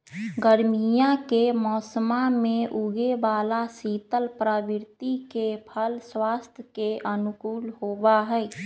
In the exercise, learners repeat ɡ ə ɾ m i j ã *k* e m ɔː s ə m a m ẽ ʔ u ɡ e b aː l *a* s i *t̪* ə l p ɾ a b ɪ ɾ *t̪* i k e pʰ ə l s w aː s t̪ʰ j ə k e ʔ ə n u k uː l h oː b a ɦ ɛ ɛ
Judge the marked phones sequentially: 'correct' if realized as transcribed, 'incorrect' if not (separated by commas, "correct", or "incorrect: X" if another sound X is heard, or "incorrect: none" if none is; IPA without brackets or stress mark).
correct, correct, correct, correct